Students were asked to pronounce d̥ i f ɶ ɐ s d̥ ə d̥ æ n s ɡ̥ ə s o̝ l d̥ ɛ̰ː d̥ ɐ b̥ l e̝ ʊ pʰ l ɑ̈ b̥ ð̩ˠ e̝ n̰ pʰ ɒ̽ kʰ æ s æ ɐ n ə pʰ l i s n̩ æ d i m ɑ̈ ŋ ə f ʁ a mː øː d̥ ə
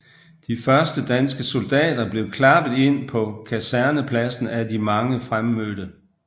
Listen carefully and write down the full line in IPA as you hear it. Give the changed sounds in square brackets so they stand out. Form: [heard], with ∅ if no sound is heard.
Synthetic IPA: d̥ i f ɶ ɐ s d̥ ə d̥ æ n s ɡ̥ ə s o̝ l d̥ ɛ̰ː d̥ ɐ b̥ l e̝ ʊ [kʰ] l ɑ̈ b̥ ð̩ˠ e̝ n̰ pʰ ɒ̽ kʰ æ s æ ɐ n ə pʰ l [æ] s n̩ æ d i m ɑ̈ ŋ ə f ʁ a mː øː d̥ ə